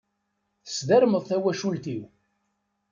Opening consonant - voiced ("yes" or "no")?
no